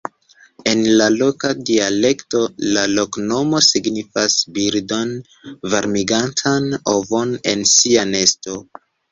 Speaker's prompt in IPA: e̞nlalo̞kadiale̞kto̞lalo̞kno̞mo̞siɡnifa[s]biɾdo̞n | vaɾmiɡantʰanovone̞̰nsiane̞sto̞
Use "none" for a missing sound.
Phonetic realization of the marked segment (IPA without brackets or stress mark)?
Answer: s